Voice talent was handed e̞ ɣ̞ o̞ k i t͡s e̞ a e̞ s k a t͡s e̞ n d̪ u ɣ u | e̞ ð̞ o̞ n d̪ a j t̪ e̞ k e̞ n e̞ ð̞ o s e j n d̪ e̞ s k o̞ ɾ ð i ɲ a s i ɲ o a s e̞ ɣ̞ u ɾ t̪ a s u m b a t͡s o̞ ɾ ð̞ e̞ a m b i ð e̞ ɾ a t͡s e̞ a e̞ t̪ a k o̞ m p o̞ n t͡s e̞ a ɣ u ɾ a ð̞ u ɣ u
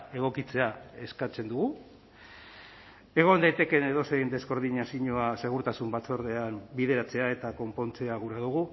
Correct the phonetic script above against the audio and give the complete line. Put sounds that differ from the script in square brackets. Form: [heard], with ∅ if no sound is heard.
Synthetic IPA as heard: e̞ ɣ̞ o̞ k i t͡s e̞ a e̞ s k a t͡s e̞ n d̪ u ɣ u | e̞ [ɣ̞] o̞ n d̪ a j t̪ e̞ k e̞ n e̞ ð̞ o s e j n d̪ e̞ s k o̞ ɾ ð i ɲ a s i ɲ o a s e̞ ɣ̞ u ɾ t̪ a s u m b a t͡s o̞ ɾ ð̞ e̞ a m b i ð e̞ ɾ a t͡s e̞ a e̞ t̪ a k o̞ m p o̞ n t͡s e̞ a ɣ u ɾ a ð̞ u ɣ u